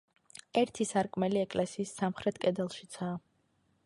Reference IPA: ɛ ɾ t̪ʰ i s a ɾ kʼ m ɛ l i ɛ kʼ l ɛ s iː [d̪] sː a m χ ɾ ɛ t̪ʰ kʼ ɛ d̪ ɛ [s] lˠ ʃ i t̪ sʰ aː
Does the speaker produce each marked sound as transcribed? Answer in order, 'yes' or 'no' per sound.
no, no

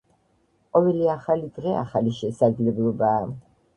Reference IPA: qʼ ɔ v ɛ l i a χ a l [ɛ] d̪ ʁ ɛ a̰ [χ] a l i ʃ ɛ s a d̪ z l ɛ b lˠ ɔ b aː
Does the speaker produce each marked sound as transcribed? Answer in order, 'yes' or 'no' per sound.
no, yes

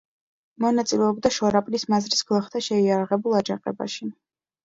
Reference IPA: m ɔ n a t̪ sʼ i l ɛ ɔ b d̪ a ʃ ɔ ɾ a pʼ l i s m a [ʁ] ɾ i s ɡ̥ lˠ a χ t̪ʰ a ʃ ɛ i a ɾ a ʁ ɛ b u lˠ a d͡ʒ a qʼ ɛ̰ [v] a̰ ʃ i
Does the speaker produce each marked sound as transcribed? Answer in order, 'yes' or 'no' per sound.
no, no

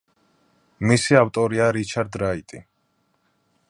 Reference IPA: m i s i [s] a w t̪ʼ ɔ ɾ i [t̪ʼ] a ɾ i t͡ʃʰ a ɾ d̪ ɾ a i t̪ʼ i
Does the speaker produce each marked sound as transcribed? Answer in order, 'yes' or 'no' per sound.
no, no

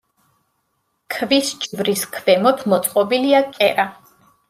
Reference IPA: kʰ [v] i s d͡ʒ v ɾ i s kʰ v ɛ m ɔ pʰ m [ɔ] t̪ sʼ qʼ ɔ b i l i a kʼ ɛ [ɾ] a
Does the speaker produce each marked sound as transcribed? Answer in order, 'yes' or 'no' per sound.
yes, yes, yes

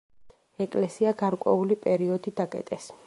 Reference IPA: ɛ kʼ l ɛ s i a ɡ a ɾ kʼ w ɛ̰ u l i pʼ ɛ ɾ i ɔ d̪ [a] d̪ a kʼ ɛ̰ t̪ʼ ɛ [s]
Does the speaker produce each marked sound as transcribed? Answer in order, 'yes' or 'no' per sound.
no, yes

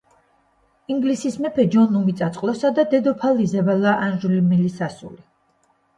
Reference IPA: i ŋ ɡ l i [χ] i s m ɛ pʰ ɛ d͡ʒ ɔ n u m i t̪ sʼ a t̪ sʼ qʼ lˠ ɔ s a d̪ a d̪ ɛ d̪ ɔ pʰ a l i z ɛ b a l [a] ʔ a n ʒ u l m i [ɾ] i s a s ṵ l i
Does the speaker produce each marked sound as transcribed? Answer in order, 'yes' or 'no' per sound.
no, yes, no

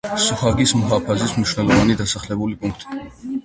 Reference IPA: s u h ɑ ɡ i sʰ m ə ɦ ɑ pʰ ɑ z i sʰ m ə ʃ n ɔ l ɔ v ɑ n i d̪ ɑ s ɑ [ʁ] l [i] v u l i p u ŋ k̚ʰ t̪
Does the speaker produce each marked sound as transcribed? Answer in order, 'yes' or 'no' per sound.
no, no

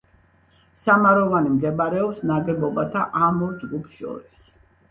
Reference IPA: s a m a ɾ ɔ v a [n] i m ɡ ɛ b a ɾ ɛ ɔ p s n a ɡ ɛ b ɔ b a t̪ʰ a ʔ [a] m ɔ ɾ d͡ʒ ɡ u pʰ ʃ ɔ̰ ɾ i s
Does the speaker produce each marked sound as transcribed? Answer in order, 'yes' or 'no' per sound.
yes, yes

